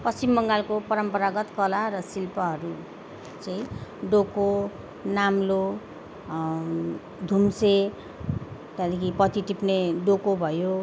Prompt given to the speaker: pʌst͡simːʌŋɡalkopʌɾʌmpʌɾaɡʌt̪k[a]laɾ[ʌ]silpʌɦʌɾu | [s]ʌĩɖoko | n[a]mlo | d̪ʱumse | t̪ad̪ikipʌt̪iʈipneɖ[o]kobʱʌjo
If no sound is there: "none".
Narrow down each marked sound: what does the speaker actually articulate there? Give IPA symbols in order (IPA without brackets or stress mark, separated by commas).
ʌ, ʌ, t͡s, a, o